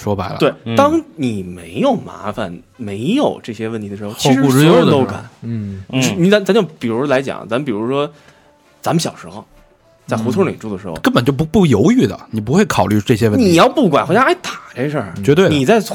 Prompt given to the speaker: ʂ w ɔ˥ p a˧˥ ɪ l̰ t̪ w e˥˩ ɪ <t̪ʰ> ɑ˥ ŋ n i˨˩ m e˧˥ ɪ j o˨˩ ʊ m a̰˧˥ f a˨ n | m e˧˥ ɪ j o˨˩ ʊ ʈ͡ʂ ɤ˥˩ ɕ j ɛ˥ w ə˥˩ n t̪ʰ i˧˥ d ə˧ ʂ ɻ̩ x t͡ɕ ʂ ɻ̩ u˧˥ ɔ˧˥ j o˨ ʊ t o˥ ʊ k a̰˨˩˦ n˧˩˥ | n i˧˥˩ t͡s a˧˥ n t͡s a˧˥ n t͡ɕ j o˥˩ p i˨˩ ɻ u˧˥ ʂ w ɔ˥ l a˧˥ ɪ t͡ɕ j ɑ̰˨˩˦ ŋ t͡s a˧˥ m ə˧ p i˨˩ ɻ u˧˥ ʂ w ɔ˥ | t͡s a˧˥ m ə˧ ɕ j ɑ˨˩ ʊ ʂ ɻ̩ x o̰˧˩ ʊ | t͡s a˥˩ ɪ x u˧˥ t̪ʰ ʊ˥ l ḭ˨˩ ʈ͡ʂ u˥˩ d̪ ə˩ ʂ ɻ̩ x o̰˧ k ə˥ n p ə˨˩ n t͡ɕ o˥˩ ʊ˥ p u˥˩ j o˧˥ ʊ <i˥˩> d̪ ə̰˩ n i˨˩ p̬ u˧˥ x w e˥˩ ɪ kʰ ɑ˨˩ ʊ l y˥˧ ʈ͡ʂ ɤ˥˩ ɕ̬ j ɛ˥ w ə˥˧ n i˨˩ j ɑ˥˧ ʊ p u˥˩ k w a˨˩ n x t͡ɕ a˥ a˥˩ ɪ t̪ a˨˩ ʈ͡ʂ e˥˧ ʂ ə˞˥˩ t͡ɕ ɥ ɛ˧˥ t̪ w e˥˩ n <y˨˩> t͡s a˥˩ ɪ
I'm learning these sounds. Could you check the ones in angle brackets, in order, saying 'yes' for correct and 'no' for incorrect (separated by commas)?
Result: no, no, no